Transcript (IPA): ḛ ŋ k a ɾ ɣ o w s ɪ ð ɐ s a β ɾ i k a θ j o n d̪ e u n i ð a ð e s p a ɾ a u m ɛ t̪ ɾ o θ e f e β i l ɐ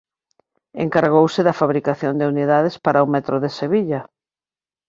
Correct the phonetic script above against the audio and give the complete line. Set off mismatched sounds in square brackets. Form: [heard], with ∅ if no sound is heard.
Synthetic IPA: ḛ ŋ k a ɾ ɣ o w s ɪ ð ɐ [f] a β ɾ i k a θ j o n d̪ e u n i ð a ð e s p a ɾ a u m ɛ t̪ ɾ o [ð] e [s] e β i [ʎ] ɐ